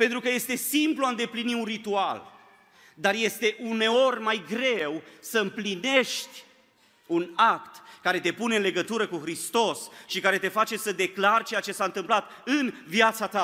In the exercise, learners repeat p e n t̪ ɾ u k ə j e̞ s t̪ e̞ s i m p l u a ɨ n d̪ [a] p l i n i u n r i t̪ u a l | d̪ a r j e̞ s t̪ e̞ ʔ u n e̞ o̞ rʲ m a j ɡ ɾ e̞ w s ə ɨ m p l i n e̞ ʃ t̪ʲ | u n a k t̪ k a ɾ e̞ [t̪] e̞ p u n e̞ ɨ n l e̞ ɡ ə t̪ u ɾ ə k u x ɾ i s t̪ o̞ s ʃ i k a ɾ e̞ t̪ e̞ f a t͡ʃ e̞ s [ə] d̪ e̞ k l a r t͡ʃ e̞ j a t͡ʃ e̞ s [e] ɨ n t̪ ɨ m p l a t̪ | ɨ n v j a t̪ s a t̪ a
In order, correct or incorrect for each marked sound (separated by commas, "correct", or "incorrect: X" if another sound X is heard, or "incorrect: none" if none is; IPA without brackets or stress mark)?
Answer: incorrect: e, correct, correct, incorrect: a